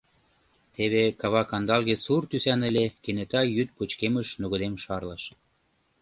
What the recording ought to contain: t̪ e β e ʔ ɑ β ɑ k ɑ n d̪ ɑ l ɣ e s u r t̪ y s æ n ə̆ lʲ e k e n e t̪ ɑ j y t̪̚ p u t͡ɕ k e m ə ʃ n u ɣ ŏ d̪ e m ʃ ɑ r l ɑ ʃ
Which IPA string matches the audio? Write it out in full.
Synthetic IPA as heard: t̪ e β e k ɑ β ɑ k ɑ n d̪ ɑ l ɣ e s u r t̪ y s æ n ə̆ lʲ e k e n e t̪ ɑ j y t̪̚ p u t͡ɕ k e m ə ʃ n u ɣ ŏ d̪ e m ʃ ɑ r l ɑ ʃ